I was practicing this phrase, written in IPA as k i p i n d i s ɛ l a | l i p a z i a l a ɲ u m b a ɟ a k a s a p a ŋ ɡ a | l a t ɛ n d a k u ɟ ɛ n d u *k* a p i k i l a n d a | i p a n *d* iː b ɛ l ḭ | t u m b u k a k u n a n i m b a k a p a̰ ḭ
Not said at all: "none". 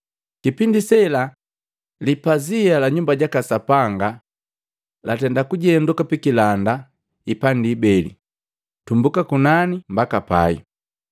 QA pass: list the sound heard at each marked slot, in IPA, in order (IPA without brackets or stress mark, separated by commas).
k, d